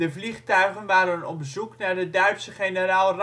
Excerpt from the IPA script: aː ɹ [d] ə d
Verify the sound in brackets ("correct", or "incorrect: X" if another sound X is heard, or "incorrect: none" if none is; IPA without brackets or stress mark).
correct